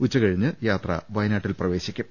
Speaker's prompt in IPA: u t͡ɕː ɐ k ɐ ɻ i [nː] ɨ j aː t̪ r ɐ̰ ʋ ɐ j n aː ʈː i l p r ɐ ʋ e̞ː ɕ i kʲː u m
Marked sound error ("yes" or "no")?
yes